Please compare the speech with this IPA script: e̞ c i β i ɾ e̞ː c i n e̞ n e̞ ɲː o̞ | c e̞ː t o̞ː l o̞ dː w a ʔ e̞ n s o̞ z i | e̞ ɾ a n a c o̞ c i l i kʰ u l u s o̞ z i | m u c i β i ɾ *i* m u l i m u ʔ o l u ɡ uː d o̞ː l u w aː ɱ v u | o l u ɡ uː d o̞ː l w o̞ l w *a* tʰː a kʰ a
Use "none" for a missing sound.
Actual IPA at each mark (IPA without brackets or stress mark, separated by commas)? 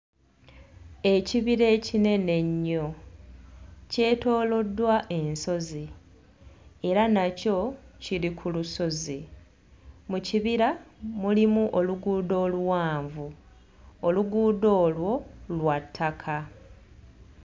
a, a